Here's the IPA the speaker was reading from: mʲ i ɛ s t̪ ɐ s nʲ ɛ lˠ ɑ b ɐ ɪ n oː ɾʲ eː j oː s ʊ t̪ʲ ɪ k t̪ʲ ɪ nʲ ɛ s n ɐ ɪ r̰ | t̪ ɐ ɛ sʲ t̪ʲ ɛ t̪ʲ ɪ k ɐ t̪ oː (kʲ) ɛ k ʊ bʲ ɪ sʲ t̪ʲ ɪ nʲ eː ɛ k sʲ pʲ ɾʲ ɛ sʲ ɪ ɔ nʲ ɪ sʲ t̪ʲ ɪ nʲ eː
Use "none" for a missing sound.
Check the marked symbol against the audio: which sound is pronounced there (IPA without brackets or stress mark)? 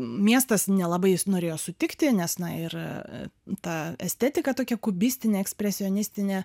kʲ